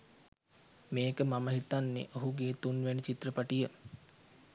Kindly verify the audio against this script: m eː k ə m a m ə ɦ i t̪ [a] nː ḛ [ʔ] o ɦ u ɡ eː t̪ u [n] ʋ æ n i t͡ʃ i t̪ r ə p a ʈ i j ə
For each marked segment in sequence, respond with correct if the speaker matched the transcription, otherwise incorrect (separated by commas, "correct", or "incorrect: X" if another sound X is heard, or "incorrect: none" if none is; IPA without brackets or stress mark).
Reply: correct, correct, correct